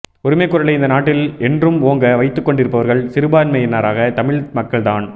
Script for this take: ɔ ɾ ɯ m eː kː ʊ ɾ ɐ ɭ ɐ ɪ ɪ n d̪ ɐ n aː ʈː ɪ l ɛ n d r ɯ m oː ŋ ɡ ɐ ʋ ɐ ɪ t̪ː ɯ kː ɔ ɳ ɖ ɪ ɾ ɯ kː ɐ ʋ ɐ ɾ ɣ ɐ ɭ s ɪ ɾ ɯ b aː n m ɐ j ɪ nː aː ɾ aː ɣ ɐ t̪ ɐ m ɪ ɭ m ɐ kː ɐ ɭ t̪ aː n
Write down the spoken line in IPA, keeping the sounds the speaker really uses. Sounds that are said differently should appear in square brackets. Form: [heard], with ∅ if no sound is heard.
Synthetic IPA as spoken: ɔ ɾ ɯ m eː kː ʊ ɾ ɐ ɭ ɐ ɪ ɪ n d̪ ɐ n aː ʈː ɪ l ɛ n d r ɯ m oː ŋ ɡ ɐ ʋ ɐ ɪ t̪ː ɯ kː ɔ ɳ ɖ ɪ ɾ ɯ [pː] ɐ ʋ ɐ ɾ ɣ ɐ ɭ s ɪ ɾ ɯ b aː n m ɐ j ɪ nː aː ɾ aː ɣ ɐ t̪ ɐ m ɪ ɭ m ɐ kː ɐ ɭ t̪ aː n